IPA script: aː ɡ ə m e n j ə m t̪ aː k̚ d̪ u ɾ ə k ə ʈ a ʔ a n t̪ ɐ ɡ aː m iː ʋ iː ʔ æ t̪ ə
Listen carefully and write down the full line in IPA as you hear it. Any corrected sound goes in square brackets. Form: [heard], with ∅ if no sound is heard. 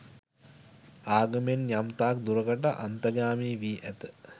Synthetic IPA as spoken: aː ɡ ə m e n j [a] m t̪ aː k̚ d̪ u ɾ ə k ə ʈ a ʔ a n t̪ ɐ ɡ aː m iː ʋ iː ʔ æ t̪ ə

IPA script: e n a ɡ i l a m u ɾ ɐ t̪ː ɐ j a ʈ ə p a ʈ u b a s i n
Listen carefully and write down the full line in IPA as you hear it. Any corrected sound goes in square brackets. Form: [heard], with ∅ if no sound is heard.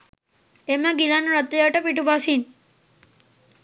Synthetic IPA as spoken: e [m] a ɡ i l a [n] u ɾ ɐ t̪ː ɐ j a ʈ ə p [i] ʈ u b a s i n

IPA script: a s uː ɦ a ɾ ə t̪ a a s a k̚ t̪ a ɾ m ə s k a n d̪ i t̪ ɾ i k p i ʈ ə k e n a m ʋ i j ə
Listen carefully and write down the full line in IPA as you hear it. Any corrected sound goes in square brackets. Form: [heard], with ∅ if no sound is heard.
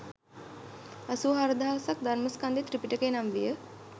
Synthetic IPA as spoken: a s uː ɦ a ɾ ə [d̪] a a s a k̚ [d̪] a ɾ m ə s k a n d̪ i t̪ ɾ i [∅] p i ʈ ə k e n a m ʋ i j ə

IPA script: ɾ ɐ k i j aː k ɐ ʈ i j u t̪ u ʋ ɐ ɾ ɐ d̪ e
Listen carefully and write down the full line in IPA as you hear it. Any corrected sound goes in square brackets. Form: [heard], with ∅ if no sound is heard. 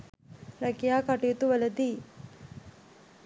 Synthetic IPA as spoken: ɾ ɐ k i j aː k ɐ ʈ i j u t̪ u ʋ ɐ [l] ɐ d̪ [i]

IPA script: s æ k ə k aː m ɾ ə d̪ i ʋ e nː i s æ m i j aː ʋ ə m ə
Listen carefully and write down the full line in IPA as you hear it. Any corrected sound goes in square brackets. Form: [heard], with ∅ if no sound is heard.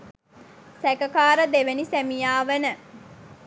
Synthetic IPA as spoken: s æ k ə k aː [∅] ɾ ə d̪ [e] ʋ e [n] i s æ m i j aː ʋ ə [n] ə

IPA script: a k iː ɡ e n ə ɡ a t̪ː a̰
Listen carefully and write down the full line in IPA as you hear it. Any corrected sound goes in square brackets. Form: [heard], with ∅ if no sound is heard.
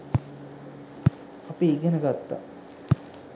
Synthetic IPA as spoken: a [p] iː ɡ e n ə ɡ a t̪ː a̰

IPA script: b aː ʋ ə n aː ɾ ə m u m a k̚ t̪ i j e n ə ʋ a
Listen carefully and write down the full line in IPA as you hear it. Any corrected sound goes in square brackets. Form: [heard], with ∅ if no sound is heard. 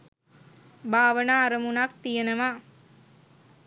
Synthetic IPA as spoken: b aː ʋ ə n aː ɾ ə m u [n] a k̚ t̪ i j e n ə ʋ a

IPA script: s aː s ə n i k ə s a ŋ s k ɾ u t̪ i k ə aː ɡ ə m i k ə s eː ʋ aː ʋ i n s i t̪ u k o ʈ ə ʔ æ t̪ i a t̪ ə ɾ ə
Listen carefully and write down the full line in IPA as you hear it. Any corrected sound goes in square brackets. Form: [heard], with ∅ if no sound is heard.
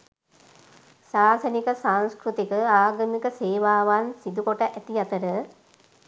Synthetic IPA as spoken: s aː s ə n i k ə s a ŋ s k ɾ u t̪ i k ə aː ɡ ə m i k ə s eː ʋ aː ʋ [a] n s i [d̪] u k o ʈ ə ʔ æ t̪ i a t̪ ə ɾ ə

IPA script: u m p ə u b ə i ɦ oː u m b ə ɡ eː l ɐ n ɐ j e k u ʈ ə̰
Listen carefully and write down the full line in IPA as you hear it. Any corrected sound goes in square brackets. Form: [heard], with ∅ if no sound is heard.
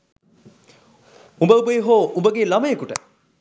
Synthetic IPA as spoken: u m [b] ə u b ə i ɦ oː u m b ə ɡ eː l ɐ [m] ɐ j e k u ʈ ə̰

